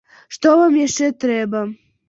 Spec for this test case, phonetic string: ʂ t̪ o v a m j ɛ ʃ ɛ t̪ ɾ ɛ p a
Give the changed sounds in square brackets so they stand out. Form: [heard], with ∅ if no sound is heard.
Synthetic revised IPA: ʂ t̪ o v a m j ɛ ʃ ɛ t̪ ɾ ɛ [b] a